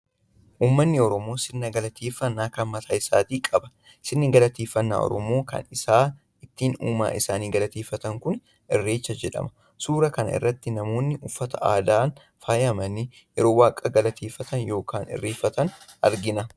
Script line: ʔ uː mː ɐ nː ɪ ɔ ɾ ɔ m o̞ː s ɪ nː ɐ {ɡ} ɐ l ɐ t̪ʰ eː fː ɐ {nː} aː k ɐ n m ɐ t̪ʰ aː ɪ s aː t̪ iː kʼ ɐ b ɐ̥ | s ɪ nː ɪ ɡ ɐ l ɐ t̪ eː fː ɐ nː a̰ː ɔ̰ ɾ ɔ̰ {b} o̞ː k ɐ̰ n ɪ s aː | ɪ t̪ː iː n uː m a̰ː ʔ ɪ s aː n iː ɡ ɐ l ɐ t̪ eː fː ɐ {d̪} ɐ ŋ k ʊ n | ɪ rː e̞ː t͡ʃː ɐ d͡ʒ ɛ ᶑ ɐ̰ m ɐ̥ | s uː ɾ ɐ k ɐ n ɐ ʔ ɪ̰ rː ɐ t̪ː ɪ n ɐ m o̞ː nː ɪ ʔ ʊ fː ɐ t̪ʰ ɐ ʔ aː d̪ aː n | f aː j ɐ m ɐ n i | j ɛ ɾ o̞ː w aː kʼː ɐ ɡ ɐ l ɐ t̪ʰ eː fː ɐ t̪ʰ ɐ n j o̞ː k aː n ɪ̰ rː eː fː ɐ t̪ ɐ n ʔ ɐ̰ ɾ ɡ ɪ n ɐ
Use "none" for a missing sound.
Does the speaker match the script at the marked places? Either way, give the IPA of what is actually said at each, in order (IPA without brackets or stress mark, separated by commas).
ɡ, nː, m, t̪